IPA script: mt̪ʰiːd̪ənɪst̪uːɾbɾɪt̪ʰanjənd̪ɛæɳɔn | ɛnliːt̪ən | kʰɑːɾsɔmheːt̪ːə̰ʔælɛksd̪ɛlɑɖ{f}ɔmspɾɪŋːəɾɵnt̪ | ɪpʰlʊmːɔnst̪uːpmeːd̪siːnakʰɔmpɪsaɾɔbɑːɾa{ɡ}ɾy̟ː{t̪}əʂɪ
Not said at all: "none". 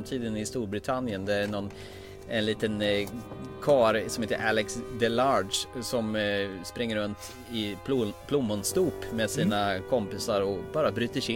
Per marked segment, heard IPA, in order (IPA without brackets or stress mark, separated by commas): s, b, t̪